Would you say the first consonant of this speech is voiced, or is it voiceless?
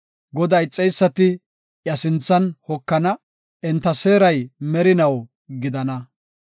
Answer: voiced